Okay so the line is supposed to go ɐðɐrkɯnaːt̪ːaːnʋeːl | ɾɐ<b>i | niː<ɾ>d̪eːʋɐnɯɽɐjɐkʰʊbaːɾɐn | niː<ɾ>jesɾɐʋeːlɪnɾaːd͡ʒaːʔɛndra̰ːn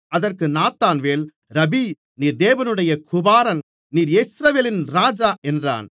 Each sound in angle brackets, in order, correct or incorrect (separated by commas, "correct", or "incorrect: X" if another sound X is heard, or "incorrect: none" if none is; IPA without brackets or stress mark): correct, correct, correct